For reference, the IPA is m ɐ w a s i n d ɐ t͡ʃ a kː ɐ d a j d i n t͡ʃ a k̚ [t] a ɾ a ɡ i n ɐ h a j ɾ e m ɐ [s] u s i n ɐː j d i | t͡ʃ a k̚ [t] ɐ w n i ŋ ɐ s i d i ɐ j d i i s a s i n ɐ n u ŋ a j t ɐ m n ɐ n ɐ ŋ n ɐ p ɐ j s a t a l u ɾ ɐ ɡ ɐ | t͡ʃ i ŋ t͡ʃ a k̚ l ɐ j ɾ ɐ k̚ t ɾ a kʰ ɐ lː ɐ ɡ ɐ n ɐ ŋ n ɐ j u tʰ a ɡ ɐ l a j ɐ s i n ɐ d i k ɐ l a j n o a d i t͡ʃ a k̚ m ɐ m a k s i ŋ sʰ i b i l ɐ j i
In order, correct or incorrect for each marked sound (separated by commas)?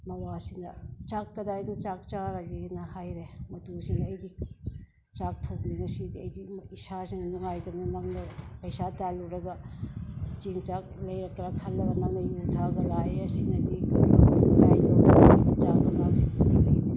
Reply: incorrect, incorrect, incorrect